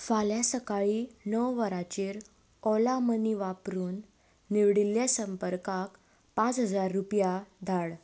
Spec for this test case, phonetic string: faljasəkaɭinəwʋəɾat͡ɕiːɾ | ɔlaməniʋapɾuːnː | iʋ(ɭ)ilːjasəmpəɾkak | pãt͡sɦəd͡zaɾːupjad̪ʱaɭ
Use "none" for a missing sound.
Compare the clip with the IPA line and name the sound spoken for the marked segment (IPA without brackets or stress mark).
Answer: ɽ